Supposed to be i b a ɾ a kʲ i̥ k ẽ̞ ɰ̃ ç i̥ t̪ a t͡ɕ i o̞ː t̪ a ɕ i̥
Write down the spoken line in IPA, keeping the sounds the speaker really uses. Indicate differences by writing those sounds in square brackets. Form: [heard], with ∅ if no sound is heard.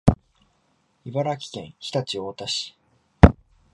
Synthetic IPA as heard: i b a ɾ a kʲ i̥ k ẽ̞ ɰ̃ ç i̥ t̪ a t͡ɕ i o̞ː t̪ a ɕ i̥